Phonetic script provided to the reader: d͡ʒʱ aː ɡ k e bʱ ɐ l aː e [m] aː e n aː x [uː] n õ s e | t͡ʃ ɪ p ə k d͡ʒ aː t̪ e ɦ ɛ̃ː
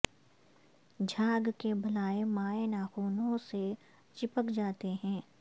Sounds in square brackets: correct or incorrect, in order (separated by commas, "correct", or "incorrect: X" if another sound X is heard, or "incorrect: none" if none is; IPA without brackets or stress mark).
correct, correct